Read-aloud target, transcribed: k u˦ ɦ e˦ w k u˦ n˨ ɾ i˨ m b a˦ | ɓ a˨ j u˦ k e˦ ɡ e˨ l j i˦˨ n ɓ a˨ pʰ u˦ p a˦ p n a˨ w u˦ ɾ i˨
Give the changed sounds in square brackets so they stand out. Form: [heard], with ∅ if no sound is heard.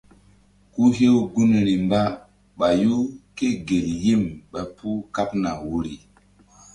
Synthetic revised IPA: k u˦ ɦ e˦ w [ɡ] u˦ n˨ ɾ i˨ m b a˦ | ɓ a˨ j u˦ k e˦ ɡ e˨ l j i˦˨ [m] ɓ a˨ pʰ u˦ [k] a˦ p n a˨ w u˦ ɾ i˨